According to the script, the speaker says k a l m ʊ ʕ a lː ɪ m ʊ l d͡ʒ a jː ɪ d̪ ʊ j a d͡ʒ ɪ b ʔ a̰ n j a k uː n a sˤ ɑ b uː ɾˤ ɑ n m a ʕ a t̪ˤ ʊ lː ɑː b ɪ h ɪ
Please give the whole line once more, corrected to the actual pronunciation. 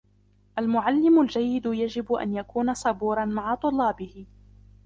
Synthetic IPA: ʔ a l m ʊ ʕ a lː ɪ m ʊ l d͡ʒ a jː ɪ d̪ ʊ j a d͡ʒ ɪ b ʔ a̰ n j a k uː n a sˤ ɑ b uː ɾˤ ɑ n m a ʕ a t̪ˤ ʊ lː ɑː b ɪ h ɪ